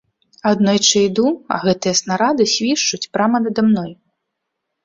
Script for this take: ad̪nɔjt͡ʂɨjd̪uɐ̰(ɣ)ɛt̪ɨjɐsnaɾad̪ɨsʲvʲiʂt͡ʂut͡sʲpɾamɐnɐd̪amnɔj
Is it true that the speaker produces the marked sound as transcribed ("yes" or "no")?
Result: yes